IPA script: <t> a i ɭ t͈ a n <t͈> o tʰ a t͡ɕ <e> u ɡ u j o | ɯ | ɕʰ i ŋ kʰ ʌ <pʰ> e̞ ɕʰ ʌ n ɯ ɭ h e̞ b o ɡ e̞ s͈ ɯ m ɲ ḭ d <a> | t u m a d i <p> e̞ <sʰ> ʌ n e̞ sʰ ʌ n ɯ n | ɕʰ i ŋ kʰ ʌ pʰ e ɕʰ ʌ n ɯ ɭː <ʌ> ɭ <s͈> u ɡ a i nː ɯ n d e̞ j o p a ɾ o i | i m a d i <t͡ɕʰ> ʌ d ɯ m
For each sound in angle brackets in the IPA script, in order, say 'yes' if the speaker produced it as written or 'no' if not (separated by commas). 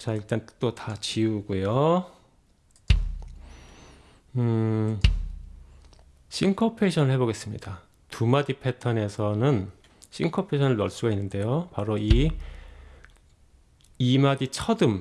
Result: no, yes, no, yes, yes, no, no, yes, yes, yes